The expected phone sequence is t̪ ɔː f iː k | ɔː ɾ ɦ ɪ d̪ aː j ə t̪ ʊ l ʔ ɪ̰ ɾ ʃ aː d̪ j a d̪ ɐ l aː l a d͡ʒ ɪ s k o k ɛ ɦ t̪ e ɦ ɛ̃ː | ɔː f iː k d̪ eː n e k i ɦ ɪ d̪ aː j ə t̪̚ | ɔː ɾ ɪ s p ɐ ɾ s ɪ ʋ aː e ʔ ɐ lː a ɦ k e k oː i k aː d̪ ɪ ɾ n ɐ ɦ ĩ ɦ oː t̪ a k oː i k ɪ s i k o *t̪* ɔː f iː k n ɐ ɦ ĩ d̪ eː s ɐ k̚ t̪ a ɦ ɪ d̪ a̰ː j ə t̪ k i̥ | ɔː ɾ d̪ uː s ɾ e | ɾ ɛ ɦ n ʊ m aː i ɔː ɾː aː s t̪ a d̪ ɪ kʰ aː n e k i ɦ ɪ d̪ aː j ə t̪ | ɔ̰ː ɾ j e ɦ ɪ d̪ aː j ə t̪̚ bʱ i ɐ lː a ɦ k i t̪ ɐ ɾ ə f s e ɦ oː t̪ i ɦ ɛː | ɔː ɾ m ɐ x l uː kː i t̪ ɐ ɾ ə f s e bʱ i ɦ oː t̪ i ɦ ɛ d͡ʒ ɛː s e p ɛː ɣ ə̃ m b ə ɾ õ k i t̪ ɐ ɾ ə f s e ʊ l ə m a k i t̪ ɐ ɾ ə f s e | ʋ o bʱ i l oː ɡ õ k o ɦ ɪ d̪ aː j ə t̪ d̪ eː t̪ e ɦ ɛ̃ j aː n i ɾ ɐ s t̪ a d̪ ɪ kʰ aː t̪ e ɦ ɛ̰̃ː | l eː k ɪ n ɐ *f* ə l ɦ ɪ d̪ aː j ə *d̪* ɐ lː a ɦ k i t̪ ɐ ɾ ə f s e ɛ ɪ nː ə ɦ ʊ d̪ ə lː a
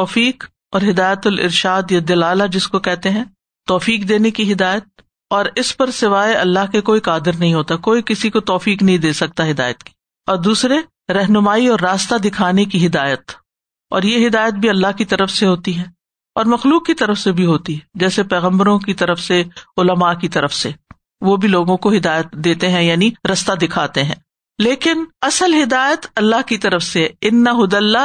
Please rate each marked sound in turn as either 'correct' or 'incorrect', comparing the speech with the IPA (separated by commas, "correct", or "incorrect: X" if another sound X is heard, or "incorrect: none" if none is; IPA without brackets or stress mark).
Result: correct, incorrect: s, incorrect: t̪